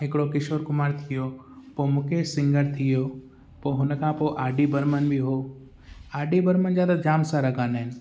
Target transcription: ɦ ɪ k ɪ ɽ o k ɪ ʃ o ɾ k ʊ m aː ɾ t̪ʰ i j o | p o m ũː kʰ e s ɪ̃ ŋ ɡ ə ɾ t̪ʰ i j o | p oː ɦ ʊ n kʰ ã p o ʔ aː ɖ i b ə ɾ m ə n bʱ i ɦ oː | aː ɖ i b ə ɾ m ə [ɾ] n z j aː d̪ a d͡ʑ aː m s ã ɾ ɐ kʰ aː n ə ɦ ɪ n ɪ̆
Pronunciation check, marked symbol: incorrect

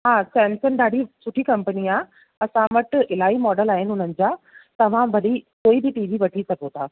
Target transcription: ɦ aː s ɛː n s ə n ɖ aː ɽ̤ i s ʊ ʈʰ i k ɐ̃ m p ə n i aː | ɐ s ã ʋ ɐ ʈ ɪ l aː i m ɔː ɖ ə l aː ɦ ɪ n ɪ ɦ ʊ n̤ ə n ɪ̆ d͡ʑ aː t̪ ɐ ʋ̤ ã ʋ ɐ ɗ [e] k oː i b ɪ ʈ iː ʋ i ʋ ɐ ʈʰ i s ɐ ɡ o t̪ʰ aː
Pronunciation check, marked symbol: incorrect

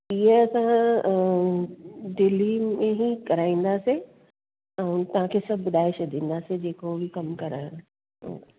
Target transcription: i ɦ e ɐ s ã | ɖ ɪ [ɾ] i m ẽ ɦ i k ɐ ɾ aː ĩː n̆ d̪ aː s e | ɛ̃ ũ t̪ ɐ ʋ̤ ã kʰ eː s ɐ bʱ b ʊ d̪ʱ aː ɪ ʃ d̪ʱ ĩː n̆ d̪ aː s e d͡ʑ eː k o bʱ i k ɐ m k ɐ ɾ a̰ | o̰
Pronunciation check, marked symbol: incorrect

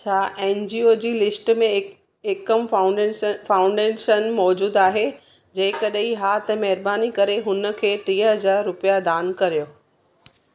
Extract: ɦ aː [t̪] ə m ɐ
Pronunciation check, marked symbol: correct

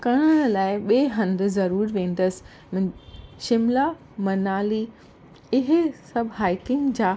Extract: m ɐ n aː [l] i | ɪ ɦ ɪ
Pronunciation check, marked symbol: correct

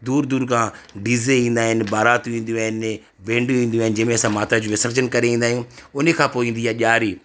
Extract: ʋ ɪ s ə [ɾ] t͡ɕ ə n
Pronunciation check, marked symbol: correct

